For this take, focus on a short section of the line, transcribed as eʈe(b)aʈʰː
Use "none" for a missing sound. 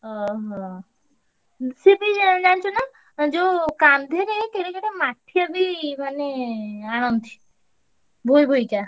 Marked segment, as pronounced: m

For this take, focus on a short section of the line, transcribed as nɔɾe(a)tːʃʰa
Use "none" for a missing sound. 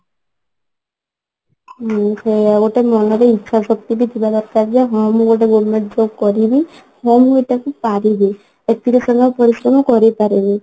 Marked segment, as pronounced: i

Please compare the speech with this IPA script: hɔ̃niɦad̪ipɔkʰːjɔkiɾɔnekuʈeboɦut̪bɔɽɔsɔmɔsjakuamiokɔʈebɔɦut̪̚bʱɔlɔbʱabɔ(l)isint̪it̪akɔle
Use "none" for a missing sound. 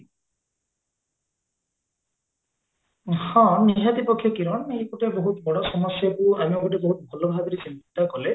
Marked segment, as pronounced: ɾ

